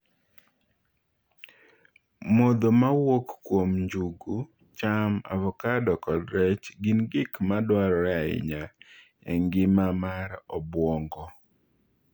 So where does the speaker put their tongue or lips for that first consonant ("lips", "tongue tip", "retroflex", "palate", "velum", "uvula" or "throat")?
lips